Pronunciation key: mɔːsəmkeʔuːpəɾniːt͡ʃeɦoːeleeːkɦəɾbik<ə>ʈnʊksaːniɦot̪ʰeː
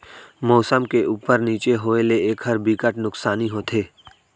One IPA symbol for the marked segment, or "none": ə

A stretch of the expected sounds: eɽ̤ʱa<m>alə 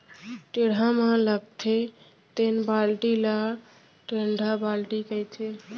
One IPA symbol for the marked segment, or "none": m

